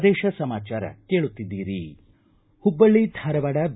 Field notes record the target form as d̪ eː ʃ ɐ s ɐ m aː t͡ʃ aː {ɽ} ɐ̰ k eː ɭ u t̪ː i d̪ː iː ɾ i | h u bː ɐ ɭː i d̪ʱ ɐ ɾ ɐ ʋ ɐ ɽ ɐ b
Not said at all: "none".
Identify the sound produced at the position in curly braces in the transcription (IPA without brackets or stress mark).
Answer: ɾ